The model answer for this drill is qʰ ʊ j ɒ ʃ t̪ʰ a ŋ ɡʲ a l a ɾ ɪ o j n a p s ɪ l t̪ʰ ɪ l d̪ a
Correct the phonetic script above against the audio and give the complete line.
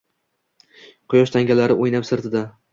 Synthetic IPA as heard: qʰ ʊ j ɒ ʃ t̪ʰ a ŋ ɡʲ a l a ɾ ɪ o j n a p s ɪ ɾ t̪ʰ ɪ d̪ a

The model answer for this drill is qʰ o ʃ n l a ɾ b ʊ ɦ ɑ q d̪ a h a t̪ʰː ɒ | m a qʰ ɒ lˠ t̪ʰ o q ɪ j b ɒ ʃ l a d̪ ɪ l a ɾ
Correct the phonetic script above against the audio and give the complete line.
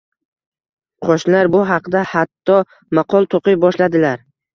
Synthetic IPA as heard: qʰ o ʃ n l a ɾ b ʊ ɦ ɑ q d̪ a h a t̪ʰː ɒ | m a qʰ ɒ lˠ t̪ʰ o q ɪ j b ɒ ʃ l a d̪ ɪ l a ɾ

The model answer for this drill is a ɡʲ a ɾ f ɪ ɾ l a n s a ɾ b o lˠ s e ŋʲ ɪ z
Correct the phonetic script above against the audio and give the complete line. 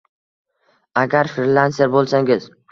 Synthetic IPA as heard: a ɡʲ a ɾ f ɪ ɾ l a n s e ɾ b o lˠ s a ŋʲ ɪ z

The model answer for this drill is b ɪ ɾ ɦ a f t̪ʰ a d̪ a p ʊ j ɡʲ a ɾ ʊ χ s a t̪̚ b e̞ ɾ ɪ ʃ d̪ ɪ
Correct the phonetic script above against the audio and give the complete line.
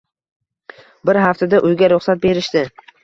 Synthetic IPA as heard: b ɪ ɾ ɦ a f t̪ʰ a d̪ a ʔ ʊ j ɡʲ a ɾ ʊ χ s a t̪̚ b e̞ ɾ ɪ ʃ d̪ ɪ

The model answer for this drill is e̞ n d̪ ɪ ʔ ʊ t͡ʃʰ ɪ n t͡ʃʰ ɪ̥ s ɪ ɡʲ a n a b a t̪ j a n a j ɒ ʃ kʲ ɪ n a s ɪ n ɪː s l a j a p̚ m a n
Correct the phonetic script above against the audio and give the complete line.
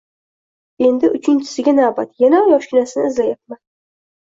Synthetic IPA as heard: e̞ n d̪ ɪ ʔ ʊ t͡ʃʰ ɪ n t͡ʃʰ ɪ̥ s ɪ ɡʲ a n a b a t̪ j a n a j ɒ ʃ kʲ ɪ n a s ɪ n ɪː z l a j a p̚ m a n

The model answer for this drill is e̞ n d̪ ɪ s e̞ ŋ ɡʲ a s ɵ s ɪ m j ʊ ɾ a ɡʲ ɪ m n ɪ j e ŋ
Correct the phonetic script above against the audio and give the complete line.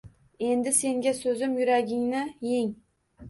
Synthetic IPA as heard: e̞ n d̪ ɪ s e̞ ŋ ɡʲ a s ɵ z ɪ m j ʊ ɾ a ɡʲ ɪ ŋ n ɪ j e ŋ

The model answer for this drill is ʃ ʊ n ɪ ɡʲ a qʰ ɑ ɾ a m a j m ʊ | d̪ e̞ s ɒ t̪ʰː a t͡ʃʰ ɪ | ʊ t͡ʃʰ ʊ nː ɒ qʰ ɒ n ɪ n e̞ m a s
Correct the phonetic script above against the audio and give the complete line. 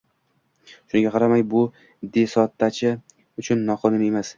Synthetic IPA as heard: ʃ ʊ n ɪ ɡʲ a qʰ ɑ ɾ a m a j b ʊ | d̪ e̞ s ɒ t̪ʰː a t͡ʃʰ ɪ | ʊ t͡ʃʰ ʊ nː ɒ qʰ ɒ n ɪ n e̞ m a s

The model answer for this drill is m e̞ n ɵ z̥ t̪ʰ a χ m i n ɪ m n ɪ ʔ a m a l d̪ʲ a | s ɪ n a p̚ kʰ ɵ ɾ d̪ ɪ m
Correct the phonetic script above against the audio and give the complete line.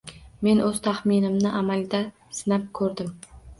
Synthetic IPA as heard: m e̞ n ɵ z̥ t̪ʰ a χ m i n ɪ m n ɪ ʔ a m a l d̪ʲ a | s ɪ n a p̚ kʰ ɵ ɾ d̪ ɪ m

